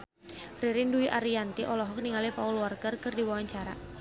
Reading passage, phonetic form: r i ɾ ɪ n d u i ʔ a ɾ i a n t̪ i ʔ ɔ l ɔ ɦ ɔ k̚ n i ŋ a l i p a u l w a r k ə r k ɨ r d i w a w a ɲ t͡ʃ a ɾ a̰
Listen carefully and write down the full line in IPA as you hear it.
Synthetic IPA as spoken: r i ɾ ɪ n d u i ʔ a ɾ i a n t̪ i ʔ ɔ l ɔ ɦ ɔ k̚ n i ŋ a l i p a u l w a r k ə r k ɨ r d i w a w a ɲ t͡ʃ a ɾ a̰